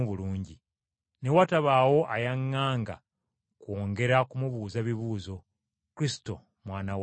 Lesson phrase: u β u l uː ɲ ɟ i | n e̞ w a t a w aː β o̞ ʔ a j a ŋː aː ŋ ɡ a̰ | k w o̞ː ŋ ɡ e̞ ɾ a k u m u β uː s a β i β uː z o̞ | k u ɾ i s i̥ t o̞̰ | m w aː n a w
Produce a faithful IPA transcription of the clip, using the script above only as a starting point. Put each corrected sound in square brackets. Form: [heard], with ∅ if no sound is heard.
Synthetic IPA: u β u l uː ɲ ɟ i | n e̞ w a t a [β] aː [w] o̞ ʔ a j a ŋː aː ŋ ɡ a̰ | k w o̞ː ŋ ɡ e̞ ɾ a k u m u β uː [z] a β i β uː z o̞ | k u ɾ i s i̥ t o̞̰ | m w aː n a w